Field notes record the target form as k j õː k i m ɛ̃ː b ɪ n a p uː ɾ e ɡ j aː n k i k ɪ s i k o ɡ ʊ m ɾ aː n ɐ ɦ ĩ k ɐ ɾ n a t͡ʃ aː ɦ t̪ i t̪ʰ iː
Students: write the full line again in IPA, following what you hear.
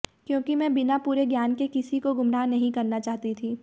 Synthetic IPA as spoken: k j õː k i m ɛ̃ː b ɪ n a p uː ɾ e ɡ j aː n k e k ɪ s i k o ɡ ʊ m ɾ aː n ɐ ɦ ĩ k ɐ ɾ n a t͡ʃ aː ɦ t̪ i t̪ʰ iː

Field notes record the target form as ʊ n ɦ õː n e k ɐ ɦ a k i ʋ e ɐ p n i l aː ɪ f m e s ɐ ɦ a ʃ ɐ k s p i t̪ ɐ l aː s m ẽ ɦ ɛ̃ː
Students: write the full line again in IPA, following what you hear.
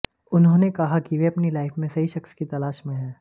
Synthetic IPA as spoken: ʊ n ɦ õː n e k ɐ ɦ a k i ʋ e ɐ p n i l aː ɪ f m ẽ s ɐ ɦ i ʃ ɐ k s k i t̪ ɐ l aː ʃ m ẽ ɦ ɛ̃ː

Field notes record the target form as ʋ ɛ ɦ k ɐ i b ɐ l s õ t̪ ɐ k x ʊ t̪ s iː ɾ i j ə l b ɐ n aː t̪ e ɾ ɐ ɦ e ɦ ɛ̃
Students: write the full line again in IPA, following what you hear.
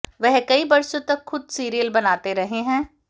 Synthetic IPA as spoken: ʋ ɛ ɦ k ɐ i b ɐ ɾ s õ t̪ ɐ k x ʊ d̪ s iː ɾ i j ə l b ɐ n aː t̪ e ɾ ɐ ɦ e ɦ ɛ̃ː

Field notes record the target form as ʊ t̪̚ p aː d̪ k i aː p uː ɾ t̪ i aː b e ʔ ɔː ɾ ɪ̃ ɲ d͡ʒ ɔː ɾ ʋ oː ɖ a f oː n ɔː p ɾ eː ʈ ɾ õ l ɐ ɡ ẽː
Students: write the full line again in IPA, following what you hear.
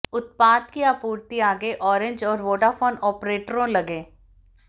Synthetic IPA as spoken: ʊ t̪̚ p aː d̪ k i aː p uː ɾ t̪ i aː ɡ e ʔ ɔː ɾ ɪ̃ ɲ d͡ʒ ɔː ɾ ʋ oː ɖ a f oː n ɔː p ɾ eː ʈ ɾ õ l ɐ ɡ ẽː

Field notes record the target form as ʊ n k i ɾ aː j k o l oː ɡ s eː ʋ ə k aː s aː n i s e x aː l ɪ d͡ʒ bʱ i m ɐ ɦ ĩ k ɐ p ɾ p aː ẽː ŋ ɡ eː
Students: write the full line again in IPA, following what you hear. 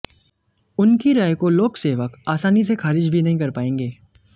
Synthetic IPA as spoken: ʊ n k i ɾ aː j k o l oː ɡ s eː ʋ ə k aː s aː n i s e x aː ɾ ɪ d͡ʒ bʱ i n ɐ ɦ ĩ k ɐ ɾ p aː ẽː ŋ ɡ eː

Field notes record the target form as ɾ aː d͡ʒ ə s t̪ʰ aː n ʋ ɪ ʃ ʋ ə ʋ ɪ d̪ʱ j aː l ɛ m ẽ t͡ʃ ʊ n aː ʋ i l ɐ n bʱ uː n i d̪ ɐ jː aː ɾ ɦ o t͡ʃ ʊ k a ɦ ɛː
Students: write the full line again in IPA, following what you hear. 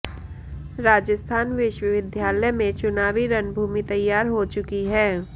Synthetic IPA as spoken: ɾ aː d͡ʒ ə s t̪ʰ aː n ʋ ɪ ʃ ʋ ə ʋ ɪ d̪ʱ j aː l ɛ m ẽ t͡ʃ ʊ n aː ʋ i ɾ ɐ n bʱ uː m i t̪ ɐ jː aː ɾ ɦ o t͡ʃ ʊ k i ɦ ɛː

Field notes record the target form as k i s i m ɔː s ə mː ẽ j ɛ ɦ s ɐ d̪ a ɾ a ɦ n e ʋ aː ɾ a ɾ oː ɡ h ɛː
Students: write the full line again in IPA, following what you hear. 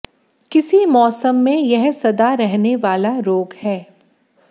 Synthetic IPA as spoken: k ɪ s i m ɔː s ə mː ẽ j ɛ ɦ s ɐ d̪ a ɾ ɛ ɦ n e ʋ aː l a ɾ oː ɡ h ɛː

